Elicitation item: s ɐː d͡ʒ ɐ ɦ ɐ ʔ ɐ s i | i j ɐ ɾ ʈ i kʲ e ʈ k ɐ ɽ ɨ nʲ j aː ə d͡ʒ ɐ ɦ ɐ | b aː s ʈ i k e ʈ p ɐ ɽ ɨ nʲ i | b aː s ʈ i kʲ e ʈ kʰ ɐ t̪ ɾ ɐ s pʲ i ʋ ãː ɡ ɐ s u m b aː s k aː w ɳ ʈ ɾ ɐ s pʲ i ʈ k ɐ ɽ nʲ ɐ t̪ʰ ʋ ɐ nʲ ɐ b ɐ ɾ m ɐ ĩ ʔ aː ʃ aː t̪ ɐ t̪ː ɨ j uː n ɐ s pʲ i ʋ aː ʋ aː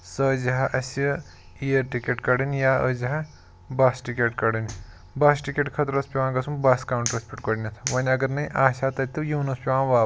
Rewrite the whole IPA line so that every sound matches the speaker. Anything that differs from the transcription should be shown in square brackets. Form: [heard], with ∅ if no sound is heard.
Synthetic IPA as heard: s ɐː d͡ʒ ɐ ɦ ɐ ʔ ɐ s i | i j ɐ ɾ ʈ i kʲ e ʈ k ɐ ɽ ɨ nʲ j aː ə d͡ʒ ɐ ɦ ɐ | b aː s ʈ i k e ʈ [k] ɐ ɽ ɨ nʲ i | b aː s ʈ i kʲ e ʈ kʰ ɐ t̪ ɾ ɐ s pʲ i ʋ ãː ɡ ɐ s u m b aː s k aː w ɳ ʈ ɾ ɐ s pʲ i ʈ k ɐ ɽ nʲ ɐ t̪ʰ ʋ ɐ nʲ ɐ [ɡ] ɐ ɾ [n] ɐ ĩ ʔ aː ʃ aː t̪ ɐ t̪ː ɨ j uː n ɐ s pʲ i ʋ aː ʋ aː